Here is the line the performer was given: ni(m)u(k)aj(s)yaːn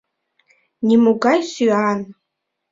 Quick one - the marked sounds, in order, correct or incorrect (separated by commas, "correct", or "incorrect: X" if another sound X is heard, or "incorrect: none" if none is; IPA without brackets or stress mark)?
correct, incorrect: ɡ, correct